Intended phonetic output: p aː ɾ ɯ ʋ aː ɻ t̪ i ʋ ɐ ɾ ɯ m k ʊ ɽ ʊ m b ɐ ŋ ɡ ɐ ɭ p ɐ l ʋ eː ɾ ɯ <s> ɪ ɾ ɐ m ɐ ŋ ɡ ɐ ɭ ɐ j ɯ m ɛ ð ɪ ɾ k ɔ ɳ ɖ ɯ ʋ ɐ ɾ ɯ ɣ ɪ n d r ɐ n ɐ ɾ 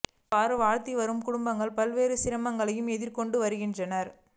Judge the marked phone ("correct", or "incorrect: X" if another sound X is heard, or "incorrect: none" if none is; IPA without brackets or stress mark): correct